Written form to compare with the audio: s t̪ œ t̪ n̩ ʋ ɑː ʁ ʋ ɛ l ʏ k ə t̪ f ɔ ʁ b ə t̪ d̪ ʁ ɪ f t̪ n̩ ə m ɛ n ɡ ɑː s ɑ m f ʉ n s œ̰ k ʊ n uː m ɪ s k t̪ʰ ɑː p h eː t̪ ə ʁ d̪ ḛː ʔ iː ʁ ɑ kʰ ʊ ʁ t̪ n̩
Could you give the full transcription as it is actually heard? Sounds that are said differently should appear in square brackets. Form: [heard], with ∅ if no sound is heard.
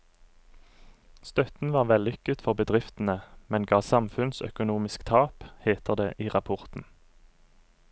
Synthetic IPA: s t̪ œ t̪ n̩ ʋ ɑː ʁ ʋ ɛ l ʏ k ə t̪ f ɔ ʁ b ə [∅] d̪ ʁ ɪ f t̪ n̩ ə m ɛ n ɡ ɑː s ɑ m f ʉ n s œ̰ k ʊ n uː m ɪ s k t̪ʰ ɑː p h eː t̪ ə ʁ d̪ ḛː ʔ iː ʁ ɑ [pʰ] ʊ ʁ t̪ n̩